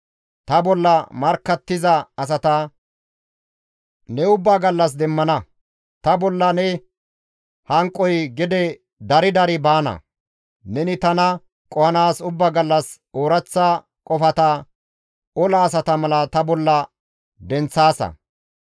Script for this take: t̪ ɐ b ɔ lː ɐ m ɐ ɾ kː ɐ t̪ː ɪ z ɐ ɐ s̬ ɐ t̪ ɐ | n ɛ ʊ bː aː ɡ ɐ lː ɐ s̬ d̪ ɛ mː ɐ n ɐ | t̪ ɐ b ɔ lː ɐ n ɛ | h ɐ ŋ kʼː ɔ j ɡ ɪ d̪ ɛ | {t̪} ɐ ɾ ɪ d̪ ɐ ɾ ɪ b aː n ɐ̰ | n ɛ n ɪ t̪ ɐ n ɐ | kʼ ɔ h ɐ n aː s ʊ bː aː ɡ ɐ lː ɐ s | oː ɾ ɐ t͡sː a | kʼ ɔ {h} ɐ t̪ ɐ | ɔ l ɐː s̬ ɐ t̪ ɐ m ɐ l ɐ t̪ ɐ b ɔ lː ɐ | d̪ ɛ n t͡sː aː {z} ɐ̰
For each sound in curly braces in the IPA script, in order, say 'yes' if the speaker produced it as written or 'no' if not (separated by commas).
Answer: no, no, no